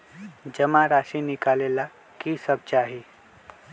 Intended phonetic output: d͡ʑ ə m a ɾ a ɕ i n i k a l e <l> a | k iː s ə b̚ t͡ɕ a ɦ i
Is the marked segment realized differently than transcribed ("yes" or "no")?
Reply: no